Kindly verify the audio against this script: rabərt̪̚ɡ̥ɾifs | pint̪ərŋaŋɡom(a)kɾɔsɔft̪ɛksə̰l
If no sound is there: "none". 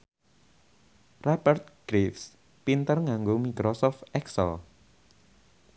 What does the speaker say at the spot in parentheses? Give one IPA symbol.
i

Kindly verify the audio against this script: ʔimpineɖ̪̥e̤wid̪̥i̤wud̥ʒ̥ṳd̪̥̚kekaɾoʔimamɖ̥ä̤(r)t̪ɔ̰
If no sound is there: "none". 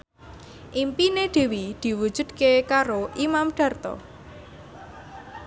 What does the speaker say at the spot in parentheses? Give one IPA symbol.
r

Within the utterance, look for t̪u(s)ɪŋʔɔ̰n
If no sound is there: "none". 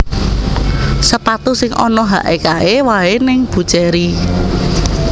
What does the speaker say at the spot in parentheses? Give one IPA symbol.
s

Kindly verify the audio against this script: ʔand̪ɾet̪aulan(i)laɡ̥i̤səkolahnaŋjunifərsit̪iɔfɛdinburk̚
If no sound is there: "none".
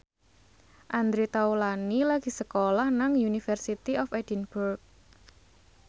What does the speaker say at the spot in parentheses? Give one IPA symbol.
i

